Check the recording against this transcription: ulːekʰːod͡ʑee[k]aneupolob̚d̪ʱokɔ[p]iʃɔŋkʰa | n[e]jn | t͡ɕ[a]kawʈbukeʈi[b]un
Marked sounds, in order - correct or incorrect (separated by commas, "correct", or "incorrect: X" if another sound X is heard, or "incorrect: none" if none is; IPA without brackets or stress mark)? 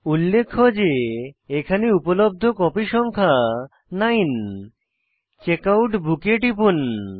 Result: incorrect: kʰ, correct, incorrect: a, incorrect: e, incorrect: p